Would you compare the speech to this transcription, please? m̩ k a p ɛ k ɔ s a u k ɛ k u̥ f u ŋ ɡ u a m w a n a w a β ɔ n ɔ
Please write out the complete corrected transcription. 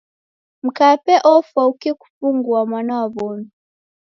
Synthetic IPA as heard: m̩ k a p ɛ ʔ ɔ f a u k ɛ k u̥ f u ŋ ɡ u a m w a n a w a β ɔ n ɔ